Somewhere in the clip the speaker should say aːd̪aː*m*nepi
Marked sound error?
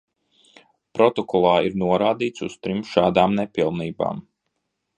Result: no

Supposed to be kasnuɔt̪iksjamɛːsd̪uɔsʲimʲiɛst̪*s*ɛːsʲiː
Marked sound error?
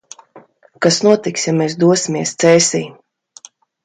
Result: no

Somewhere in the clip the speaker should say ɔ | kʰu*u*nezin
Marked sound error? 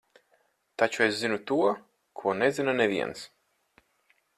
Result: yes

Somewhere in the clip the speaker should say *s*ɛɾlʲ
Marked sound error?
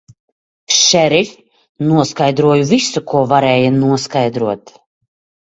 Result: yes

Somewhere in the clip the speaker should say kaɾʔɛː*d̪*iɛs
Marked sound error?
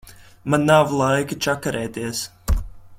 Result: yes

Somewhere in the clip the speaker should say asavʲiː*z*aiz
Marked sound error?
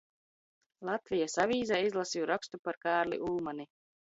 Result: no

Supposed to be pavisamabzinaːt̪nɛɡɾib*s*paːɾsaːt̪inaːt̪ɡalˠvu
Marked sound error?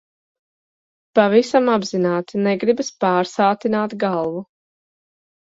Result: no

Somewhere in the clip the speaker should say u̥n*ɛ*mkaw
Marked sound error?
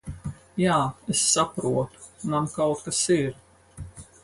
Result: yes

